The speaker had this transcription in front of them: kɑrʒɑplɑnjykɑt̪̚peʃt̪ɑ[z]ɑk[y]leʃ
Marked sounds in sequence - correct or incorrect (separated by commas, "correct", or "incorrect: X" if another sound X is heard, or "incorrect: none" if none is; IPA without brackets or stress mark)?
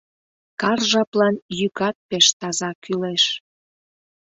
correct, correct